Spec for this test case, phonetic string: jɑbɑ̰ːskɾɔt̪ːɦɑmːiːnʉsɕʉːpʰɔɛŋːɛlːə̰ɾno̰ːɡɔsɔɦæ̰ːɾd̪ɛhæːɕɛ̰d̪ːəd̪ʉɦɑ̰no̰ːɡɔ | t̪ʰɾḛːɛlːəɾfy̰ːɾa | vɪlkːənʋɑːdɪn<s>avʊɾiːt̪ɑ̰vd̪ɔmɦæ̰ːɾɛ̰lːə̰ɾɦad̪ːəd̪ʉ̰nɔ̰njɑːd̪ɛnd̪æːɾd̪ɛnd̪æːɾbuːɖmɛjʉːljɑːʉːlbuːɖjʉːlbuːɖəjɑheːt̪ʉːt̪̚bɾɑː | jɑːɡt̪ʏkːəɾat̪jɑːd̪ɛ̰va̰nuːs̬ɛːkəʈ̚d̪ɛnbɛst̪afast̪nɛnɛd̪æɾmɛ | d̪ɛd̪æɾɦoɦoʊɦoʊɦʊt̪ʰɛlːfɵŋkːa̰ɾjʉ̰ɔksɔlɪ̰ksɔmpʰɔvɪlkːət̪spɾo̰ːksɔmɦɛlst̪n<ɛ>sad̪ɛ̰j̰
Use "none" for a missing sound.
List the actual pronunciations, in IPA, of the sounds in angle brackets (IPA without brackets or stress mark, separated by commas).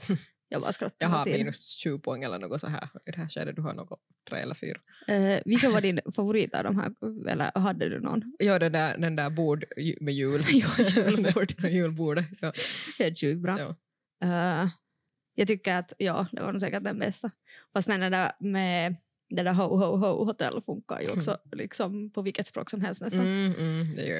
f, ɛ